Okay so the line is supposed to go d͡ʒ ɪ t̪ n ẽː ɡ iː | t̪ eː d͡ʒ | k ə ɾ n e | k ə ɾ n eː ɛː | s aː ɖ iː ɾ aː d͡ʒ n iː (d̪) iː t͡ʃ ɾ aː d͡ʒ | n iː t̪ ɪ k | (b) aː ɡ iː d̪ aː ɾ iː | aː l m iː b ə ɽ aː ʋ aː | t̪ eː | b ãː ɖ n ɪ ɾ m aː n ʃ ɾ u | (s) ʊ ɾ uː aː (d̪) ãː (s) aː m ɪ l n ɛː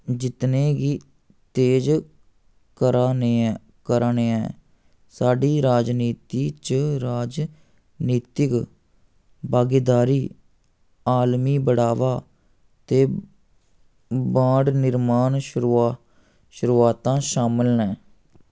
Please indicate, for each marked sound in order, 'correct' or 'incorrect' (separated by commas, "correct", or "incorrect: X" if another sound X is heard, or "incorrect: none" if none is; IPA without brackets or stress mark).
incorrect: t̪, correct, incorrect: ʃ, incorrect: t̪, incorrect: ʃ